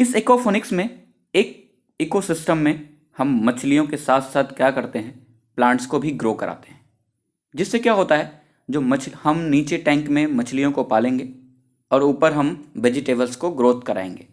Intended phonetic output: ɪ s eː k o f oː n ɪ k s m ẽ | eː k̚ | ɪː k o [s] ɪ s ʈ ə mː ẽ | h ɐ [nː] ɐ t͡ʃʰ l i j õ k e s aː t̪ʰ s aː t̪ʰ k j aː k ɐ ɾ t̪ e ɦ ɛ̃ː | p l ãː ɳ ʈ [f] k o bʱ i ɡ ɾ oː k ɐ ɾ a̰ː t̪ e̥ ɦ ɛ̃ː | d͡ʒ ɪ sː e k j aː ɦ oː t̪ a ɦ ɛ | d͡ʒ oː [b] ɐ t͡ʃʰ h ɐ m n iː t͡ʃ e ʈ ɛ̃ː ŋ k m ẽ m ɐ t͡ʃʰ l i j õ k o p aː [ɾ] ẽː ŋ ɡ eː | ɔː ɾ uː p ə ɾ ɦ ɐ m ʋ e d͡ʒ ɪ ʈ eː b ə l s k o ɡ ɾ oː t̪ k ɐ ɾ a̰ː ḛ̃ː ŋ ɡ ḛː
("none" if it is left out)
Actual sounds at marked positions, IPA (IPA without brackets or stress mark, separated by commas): s, mː, s, m, l